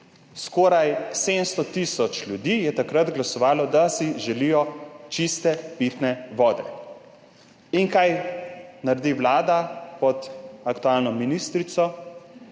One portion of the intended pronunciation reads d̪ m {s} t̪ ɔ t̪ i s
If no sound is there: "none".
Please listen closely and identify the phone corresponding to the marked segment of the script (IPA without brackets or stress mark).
s